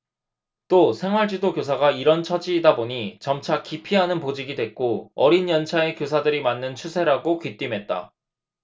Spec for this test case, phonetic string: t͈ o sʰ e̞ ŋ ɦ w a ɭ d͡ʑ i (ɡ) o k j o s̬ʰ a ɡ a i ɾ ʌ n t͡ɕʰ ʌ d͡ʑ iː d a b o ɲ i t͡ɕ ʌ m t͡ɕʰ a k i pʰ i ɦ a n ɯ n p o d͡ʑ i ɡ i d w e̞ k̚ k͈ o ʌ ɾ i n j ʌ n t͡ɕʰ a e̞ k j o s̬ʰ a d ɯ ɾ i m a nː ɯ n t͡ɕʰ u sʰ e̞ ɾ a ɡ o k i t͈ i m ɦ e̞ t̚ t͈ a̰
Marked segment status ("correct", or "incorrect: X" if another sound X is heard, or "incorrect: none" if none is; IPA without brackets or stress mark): incorrect: d